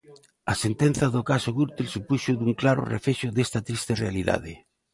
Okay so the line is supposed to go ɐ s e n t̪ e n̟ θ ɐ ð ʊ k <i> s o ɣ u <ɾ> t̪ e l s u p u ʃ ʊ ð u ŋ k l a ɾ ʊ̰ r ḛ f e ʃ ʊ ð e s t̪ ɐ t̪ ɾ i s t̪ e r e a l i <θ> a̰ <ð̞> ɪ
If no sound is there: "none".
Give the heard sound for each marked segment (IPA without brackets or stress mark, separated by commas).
a, ɾ, ð, ð̞